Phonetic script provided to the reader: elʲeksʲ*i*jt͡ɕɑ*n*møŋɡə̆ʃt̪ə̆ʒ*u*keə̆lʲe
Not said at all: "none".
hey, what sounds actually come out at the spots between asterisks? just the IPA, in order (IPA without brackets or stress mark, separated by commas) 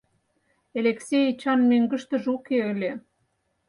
e, n, u